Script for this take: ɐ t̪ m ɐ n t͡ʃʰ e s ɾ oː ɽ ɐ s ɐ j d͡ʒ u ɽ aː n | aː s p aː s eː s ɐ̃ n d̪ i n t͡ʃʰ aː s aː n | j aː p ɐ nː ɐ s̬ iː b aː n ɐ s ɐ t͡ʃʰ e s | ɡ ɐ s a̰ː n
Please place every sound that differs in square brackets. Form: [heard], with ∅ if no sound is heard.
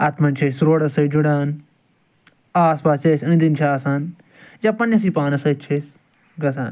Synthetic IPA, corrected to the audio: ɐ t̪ m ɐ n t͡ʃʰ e s ɾ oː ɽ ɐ s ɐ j d͡ʒ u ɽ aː n | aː s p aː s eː s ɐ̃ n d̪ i n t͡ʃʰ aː s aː n | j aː p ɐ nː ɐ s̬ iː [p] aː n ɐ s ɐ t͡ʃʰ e s | ɡ ɐ s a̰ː n